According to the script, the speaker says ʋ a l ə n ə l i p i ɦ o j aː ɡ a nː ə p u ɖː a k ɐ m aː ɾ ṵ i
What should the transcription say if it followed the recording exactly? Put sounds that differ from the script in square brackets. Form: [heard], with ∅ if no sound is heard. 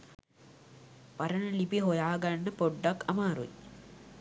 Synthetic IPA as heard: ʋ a [ɾ] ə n ə l i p i ɦ o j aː ɡ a nː ə p [o] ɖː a k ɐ m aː ɾ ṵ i